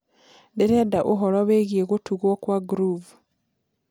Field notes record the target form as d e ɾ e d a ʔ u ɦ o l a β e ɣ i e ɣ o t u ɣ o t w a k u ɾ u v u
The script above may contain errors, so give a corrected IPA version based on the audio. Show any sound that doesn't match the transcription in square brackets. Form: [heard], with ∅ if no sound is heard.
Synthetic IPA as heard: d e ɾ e d a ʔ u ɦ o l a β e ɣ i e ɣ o t u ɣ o [k] w a [ɡ] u ɾ u v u